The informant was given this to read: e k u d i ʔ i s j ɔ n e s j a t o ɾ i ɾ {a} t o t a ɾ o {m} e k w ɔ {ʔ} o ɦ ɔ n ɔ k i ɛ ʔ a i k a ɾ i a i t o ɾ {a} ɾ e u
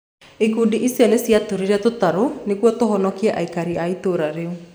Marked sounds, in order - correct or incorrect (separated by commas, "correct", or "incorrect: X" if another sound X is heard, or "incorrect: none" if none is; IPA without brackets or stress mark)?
incorrect: ɛ, incorrect: n, incorrect: t, correct